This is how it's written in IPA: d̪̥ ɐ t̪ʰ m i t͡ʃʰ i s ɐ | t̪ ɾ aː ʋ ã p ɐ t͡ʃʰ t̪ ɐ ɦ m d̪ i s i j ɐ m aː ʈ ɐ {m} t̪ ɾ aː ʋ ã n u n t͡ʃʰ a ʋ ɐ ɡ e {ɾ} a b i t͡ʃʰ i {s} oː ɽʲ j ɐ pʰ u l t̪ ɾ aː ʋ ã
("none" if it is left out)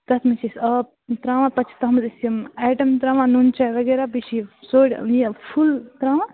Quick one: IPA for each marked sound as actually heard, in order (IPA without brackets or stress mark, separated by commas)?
m, ɾ, s